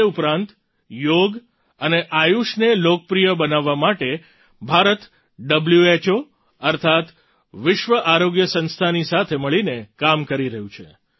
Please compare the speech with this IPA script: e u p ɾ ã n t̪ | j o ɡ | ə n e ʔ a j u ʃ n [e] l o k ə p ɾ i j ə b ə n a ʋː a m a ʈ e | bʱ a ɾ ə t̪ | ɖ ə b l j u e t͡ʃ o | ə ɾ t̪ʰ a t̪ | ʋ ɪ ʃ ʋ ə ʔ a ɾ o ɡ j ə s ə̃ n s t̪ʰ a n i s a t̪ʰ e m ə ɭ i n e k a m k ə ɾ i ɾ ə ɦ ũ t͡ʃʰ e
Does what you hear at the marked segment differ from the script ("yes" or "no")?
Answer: no